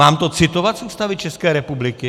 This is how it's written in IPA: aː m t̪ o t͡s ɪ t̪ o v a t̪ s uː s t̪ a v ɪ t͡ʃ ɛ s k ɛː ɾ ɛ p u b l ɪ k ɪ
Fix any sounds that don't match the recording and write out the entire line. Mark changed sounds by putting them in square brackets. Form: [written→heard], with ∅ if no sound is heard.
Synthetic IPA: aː m t̪ o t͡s ɪ t̪ o v a t̪ s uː s t̪ a v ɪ t͡ʃ ɛ s k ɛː ɾ ɛ p u b l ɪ k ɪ